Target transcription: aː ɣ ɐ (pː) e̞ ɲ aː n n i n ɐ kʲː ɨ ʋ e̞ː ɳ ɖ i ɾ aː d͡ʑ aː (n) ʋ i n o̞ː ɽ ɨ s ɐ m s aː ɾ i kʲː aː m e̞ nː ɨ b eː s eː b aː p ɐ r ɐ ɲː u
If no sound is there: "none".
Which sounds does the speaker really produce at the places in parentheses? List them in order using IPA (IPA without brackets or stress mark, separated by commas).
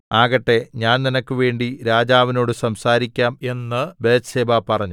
ʈː, none